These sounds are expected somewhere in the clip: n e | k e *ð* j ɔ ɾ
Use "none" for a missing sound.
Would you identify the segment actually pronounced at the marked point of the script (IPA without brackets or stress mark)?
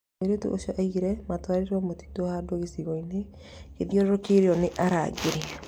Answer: ð